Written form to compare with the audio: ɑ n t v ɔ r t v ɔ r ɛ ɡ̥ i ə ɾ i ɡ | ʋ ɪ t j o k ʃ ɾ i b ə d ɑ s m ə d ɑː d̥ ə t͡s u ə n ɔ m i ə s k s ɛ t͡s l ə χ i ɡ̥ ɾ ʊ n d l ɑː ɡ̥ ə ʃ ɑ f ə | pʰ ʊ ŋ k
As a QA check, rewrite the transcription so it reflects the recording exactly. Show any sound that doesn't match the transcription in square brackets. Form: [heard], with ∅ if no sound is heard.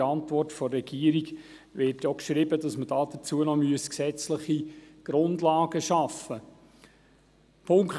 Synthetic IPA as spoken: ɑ n t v ɔ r t [f] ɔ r ɛ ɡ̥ i ə ɾ i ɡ | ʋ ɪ t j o k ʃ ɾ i b ə d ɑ s m ə d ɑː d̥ ə t͡s u ə n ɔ m [y] ə s k s ɛ t͡s l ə χ i ɡ̥ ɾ ʊ n d l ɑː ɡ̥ ə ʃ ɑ f ə | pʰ ʊ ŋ k